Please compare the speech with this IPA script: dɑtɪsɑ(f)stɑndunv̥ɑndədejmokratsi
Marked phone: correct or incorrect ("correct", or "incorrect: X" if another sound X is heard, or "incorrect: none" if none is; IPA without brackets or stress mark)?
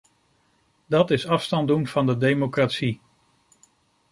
correct